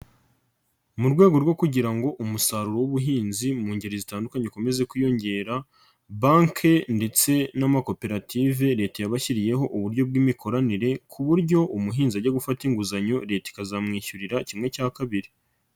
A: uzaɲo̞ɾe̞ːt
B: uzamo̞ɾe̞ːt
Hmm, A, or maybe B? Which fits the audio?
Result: A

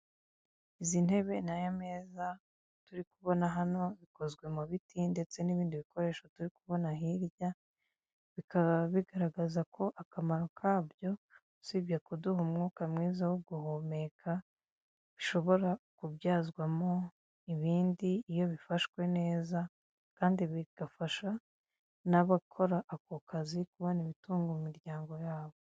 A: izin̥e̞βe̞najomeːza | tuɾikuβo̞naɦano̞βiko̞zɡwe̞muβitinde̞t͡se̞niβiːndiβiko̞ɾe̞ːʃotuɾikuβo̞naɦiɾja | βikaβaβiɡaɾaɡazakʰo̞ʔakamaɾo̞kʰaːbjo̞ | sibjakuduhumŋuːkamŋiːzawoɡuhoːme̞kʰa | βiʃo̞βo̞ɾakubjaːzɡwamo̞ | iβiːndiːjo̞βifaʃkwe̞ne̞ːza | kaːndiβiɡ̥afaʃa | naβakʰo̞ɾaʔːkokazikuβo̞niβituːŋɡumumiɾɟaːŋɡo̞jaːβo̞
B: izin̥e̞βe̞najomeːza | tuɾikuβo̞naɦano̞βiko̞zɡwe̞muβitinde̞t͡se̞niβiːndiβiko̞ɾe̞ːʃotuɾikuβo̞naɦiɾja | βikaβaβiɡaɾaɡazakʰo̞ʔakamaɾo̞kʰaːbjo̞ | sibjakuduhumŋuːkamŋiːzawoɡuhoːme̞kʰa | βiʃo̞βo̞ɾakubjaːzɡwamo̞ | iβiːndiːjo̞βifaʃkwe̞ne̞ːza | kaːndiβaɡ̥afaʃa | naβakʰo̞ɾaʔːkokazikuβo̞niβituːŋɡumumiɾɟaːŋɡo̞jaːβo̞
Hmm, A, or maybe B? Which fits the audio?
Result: A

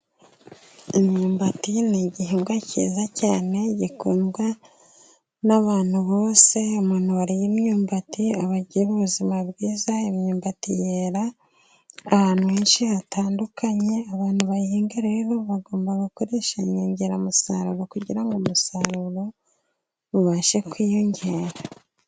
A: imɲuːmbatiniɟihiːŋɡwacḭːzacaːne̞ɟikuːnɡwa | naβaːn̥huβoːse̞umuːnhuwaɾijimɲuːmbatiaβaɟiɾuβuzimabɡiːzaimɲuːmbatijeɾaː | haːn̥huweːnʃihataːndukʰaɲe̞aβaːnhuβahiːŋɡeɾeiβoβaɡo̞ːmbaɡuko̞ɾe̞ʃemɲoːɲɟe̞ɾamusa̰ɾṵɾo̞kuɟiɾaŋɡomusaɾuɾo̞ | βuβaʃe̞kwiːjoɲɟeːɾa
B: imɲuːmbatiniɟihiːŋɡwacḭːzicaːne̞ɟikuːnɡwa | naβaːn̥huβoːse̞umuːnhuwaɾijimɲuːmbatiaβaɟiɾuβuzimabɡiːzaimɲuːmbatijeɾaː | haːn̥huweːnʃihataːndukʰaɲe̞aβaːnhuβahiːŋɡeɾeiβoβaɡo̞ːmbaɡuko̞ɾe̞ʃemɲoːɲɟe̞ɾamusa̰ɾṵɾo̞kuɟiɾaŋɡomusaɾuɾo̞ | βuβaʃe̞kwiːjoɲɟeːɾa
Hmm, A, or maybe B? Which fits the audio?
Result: A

